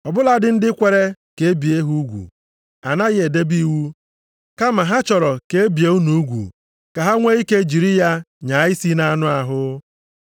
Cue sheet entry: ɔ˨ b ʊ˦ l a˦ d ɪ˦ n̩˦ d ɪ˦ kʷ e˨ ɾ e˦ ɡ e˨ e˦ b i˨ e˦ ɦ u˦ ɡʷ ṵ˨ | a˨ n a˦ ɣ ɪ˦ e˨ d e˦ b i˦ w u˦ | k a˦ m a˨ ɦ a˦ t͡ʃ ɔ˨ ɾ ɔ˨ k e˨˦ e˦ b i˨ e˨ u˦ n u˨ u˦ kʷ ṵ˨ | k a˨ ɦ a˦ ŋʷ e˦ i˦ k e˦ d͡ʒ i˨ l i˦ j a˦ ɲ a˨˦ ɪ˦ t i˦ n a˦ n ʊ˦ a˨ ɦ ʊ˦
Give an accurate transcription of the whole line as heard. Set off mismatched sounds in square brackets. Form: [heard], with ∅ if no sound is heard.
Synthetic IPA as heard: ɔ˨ b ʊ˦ l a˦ d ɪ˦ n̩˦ d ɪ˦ kʷ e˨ ɾ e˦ [k] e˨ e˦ b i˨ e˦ ɦ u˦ ɡʷ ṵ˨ | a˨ n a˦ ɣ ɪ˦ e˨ d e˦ b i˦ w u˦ | k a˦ m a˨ ɦ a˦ t͡ʃ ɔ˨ ɾ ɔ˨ k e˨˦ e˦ b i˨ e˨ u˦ n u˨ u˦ [ɡʷ] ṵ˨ | k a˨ ɦ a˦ ŋʷ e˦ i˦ k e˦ d͡ʒ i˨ [ɾ] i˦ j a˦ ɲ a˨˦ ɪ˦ [s] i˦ n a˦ n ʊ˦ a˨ ɦ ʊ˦